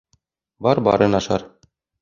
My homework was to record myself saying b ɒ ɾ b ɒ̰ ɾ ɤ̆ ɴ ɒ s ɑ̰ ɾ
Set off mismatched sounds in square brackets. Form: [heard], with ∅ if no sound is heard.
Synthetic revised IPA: b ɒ ɾ b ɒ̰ ɾ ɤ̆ [n] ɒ [ʃ] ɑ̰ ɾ